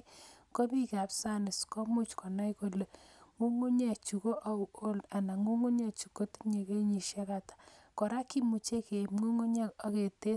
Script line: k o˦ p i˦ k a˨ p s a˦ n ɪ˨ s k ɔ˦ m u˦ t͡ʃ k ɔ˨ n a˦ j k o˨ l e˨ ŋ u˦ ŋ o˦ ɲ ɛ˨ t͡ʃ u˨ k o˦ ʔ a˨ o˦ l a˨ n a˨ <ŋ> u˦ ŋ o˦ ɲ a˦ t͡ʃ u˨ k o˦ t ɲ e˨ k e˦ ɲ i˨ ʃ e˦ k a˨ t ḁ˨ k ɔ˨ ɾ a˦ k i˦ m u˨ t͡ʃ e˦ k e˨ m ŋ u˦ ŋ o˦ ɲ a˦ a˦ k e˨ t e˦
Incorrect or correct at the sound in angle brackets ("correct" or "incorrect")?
correct